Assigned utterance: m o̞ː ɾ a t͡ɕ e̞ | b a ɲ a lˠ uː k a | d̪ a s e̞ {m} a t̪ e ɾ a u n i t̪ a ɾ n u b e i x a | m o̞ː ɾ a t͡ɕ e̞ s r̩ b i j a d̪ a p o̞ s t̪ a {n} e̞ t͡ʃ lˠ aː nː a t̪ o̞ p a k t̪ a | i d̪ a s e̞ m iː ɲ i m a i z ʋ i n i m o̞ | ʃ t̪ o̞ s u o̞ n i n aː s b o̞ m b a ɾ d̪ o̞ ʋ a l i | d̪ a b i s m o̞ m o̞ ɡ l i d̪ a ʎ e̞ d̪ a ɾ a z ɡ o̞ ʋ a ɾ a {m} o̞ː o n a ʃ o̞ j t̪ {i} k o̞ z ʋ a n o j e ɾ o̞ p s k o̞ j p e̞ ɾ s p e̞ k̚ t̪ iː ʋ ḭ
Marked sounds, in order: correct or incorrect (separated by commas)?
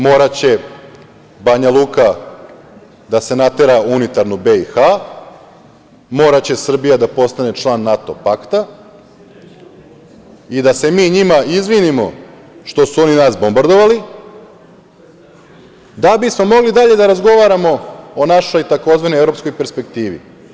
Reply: incorrect, correct, correct, incorrect